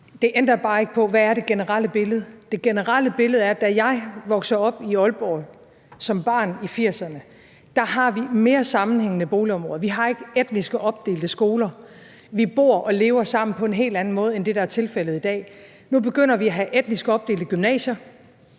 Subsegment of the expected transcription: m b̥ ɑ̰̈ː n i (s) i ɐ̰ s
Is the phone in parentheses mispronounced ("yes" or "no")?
yes